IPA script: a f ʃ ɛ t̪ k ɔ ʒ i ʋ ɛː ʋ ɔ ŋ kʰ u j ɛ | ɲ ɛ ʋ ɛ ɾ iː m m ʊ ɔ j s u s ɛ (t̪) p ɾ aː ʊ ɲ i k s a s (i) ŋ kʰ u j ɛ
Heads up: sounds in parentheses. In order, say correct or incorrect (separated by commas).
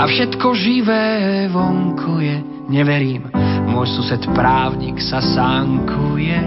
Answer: correct, incorrect